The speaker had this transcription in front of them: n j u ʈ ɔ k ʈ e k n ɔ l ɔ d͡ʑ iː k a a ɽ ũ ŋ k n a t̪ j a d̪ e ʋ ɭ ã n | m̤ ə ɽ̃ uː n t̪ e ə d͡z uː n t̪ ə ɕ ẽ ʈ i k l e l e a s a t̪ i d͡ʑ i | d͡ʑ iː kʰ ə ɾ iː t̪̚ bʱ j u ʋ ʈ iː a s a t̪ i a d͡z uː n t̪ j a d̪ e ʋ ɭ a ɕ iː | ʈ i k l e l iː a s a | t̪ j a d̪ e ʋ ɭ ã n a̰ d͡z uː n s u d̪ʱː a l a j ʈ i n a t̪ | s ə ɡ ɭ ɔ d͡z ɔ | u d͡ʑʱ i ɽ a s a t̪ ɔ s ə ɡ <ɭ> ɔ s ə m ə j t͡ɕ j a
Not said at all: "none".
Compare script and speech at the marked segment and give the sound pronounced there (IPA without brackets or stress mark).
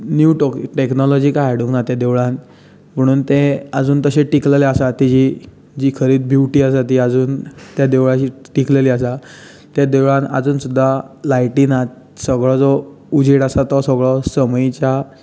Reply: ɭ